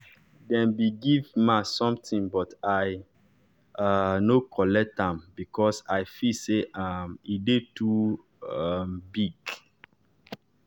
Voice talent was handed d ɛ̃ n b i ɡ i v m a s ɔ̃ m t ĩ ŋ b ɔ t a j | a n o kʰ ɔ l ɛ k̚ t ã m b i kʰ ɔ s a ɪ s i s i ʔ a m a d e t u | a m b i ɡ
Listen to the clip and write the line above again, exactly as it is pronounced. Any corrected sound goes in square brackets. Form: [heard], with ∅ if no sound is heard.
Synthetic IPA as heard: d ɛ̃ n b i ɡ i v m a s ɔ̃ m t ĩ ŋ b ɔ t a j | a n o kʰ ɔ l ɛ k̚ t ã m b i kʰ ɔ s a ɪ [f] i s [e] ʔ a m [i] d e t u | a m b i ɡ

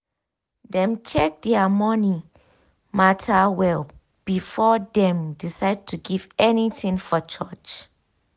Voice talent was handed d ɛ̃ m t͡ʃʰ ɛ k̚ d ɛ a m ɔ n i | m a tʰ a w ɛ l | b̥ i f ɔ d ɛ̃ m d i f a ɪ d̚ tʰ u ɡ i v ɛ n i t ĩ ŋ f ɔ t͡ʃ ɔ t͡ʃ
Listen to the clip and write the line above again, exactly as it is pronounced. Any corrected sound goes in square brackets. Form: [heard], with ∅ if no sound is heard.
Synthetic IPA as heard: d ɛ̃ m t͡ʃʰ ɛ k̚ d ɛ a m ɔ n i | m a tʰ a w ɛ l | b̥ i f ɔ d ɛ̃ m d i [s] a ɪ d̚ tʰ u ɡ i v ɛ n i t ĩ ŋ f ɔ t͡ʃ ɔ t͡ʃ

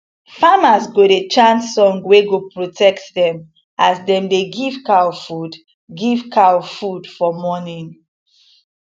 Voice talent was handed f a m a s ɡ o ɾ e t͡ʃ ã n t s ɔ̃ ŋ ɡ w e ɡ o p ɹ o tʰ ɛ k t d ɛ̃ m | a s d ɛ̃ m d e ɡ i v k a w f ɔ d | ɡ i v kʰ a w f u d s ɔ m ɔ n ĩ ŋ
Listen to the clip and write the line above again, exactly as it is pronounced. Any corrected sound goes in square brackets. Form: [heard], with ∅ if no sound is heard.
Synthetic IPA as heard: f a m a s ɡ o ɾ e t͡ʃ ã n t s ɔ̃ ŋ ɡ w e ɡ o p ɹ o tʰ ɛ k t d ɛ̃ m | a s d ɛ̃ m d e ɡ i v k a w f [u] d | ɡ i v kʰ a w f u d [f] ɔ m ɔ n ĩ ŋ

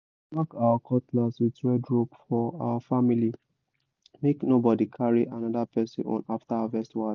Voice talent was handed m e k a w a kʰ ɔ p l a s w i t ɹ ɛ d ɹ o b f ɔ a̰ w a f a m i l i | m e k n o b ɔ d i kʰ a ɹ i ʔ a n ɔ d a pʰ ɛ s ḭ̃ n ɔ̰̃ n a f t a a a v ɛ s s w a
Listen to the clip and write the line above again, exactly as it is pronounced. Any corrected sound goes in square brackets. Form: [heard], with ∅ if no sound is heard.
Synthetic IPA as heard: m [a] k a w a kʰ ɔ [t] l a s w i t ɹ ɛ d ɹ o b f ɔ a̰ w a f a m i l i | m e k n o b ɔ d i kʰ a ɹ i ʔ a n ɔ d a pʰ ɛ s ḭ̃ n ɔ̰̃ n a f t a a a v ɛ s [t] w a

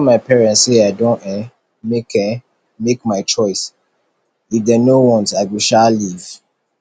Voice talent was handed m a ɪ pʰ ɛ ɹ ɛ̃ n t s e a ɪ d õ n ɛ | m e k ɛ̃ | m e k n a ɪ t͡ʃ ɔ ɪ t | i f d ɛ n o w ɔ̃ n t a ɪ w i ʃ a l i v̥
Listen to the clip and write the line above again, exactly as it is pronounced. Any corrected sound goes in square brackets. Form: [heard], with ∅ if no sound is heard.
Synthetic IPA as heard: m a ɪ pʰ ɛ ɹ ɛ̃ n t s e a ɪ d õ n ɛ | m e k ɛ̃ | m e k [m] a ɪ t͡ʃ ɔ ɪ [s] | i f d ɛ n o w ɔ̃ n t a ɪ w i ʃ a l i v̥

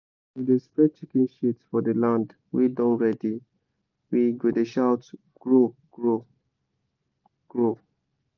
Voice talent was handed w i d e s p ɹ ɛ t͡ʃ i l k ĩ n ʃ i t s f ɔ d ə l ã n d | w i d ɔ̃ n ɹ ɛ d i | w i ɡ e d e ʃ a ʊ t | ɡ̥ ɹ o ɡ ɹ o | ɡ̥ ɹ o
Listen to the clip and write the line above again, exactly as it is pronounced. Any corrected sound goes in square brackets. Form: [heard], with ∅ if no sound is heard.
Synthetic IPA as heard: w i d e s p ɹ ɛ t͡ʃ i [∅] k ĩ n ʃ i t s f ɔ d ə l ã n d | w i d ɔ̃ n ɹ ɛ d i | w i ɡ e d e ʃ a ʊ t | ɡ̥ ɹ o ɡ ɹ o | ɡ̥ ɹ o

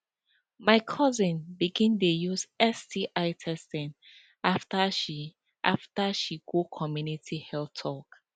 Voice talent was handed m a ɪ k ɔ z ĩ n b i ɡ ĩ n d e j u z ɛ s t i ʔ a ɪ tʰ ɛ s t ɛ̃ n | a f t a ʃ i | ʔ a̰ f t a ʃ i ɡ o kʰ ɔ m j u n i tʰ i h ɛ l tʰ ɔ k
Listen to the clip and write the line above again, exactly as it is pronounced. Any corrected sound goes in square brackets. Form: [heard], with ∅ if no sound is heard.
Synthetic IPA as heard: m a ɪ [kʰ] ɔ z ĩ n b i ɡ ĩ n d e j u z ɛ s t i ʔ a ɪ tʰ ɛ s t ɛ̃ n | a f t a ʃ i | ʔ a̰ f t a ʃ i ɡ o kʰ ɔ m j u n i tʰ i h ɛ l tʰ ɔ k

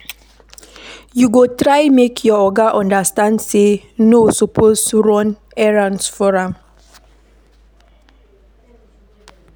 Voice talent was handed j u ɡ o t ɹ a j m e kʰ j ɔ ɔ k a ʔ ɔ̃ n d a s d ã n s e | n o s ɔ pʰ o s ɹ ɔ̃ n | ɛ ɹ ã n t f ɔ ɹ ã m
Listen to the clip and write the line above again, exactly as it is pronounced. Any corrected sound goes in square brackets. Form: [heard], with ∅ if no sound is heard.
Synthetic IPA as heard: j u ɡ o t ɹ a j m e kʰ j ɔ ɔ [ɡ] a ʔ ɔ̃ n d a s [t] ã n s e | n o s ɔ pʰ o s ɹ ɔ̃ n | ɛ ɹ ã n [s] f ɔ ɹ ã m

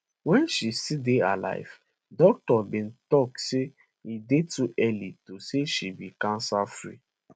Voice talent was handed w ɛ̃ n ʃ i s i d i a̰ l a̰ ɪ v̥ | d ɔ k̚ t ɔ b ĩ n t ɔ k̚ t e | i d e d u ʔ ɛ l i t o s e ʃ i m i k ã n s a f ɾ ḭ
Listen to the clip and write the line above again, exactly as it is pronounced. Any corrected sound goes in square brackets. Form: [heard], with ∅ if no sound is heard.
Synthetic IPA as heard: w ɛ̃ n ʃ i s i d [e] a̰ l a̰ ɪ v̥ | d ɔ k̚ t ɔ b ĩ n t ɔ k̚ [s] e | i d e [t] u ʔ ɛ l i t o s e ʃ i [b] i k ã n s a f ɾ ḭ

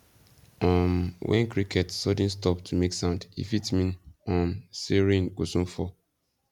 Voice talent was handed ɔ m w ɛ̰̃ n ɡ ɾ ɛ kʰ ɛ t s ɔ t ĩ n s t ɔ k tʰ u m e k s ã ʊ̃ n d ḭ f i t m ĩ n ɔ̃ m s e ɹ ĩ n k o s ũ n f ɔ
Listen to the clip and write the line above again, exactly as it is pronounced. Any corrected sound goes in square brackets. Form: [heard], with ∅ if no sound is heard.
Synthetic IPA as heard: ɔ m w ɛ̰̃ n [k] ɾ [i] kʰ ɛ t s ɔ [d] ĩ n s t ɔ [p] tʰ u m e k s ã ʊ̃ n d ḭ f i t m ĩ n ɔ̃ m s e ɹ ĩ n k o s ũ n f ɔ

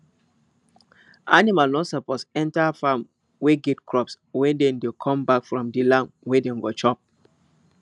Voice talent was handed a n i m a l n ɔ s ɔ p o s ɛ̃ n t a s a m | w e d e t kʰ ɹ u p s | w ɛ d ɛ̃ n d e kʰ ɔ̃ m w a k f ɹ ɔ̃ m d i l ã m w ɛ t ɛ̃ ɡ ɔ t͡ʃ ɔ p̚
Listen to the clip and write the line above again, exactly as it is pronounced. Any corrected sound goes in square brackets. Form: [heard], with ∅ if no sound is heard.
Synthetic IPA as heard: a n i m a l n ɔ s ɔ p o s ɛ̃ n t a [f] a m | w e [ɡ] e t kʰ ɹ [ɔ] p s | w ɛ d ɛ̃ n d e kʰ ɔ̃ m [b] a k f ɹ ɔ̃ m d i l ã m w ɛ [d] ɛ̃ ɡ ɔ t͡ʃ ɔ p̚

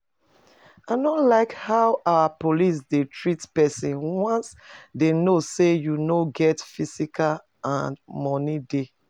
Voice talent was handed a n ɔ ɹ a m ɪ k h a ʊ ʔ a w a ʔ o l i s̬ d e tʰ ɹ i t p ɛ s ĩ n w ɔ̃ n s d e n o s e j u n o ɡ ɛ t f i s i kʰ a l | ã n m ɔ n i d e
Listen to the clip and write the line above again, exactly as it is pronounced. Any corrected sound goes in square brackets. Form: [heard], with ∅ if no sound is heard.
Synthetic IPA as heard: a n ɔ [l] a [∅] ɪ k h a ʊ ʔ a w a [p] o l i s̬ d e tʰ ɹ i t p ɛ s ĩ n w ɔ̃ n s d e n o s e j u n o ɡ ɛ t f i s i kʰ a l | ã n m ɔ n i d e

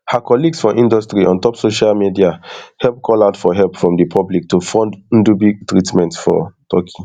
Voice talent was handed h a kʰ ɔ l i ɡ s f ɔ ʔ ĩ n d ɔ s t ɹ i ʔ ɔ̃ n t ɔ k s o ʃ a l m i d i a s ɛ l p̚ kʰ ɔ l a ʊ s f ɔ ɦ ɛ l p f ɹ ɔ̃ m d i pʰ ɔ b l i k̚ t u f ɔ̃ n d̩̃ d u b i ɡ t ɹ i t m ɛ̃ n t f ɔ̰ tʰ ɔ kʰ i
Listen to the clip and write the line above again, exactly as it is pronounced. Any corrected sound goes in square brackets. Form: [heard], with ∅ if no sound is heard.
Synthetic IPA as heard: h a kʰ ɔ l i ɡ s f ɔ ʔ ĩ n d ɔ s t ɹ i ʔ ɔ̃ n t ɔ [p] s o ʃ a l m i d i a [h] ɛ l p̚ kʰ ɔ l a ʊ [t] f ɔ ɦ ɛ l p f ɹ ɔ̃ m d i pʰ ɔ b l i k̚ t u f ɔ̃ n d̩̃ d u b i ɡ t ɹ i t m ɛ̃ n t f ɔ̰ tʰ ɔ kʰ i

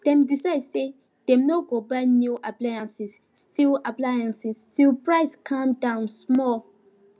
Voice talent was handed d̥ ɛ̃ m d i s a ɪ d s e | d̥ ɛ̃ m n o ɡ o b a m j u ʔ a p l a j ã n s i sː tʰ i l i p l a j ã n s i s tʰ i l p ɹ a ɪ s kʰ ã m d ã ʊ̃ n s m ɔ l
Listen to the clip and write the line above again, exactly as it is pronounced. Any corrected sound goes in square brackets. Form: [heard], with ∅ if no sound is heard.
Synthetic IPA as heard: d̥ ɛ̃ m d i s a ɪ d s e | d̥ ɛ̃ m n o ɡ o b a [n] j u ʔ a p l a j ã n s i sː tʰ i l [a] p l a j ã n s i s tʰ i l p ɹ a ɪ s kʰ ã m d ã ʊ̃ n s m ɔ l

